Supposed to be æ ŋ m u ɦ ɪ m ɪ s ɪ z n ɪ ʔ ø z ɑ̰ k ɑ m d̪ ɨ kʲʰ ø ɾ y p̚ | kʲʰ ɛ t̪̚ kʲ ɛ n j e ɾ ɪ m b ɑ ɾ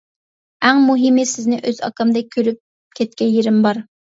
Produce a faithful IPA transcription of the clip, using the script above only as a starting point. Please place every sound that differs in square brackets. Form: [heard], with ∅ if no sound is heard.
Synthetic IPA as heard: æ ŋ m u ɦ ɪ m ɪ s ɪ z n ɪ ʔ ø z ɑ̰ k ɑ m d̪ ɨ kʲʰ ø ɾ y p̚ | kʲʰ ɛ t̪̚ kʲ ɛ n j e ɾ ɪ m b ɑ ɾ